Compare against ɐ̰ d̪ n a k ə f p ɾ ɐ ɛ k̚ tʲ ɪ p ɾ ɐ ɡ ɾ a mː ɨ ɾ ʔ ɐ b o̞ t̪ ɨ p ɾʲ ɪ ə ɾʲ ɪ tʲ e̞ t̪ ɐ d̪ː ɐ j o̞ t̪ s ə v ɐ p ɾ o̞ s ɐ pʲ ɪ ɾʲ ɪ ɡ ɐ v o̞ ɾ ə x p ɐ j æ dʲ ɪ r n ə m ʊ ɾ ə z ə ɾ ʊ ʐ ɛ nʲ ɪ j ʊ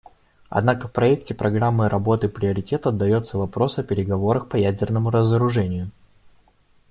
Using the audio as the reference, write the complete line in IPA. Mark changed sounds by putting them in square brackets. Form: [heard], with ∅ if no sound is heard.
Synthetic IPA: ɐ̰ d̪ n a k ə f p ɾ ɐ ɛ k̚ tʲ ɪ p ɾ ɐ ɡ ɾ a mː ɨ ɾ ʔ ɐ b o̞ t̪ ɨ p ɾʲ ɪ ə ɾʲ ɪ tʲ e̞ t̪ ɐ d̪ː ɐ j o̞ t̪ s ə v ɐ p ɾ o̞ s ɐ pʲ ɪ ɾʲ ɪ ɡ ɐ v o̞ ɾ ə x p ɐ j æ dʲ ɪ r n ə m ʊ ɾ ə z ə ɾ ʊ ʐ ɛ nʲ ɪ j ʊ